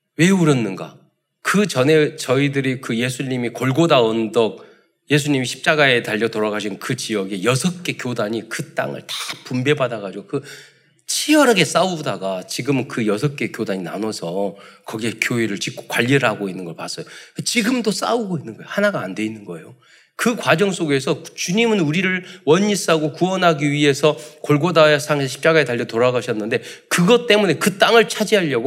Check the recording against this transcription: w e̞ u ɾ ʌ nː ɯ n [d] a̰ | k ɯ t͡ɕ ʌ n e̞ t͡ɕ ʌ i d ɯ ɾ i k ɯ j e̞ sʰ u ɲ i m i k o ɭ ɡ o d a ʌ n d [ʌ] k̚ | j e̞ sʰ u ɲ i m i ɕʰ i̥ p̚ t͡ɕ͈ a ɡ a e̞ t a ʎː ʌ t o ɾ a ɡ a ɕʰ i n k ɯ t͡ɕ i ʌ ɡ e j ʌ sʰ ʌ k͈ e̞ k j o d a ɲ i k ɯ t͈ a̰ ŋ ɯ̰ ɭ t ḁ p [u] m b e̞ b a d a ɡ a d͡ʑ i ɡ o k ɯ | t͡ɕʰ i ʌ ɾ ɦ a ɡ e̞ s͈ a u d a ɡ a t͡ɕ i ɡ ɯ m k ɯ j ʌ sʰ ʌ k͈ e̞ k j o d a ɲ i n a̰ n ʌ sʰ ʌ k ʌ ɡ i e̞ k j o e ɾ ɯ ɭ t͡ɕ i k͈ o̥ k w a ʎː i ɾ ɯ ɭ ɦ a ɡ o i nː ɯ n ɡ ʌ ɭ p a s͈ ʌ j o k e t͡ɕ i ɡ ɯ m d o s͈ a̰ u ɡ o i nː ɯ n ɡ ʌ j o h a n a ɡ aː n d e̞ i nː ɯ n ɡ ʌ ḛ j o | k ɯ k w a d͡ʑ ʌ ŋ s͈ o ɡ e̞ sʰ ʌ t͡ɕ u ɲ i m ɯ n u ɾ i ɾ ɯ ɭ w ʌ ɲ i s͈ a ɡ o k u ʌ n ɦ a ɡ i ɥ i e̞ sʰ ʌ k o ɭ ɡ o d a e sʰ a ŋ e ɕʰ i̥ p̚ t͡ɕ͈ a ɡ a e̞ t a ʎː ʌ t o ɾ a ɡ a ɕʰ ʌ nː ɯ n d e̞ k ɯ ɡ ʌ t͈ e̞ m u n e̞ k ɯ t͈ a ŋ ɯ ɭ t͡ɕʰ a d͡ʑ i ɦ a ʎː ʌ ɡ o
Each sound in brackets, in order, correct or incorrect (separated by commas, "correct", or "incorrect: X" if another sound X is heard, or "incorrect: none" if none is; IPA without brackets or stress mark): incorrect: ɡ, correct, correct